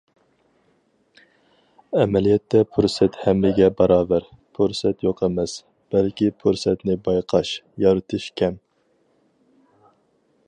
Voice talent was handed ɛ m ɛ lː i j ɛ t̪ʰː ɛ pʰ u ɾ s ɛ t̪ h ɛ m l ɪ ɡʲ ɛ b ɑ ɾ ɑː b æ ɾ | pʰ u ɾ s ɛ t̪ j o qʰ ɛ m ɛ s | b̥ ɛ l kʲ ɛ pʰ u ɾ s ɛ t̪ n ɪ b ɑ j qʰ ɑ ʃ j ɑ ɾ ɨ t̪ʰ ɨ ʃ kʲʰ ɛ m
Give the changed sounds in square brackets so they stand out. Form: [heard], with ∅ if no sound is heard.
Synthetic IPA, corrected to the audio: ɛ m ɛ [l] i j ɛ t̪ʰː ɛ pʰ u ɾ s ɛ t̪ h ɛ m l ɪ ɡʲ ɛ b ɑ ɾ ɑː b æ ɾ | pʰ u ɾ s ɛ t̪ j o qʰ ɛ m ɛ s | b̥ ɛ l kʲ [i] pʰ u ɾ s ɛ t̪ n ɪ b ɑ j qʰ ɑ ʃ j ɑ ɾ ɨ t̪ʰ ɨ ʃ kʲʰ ɛ m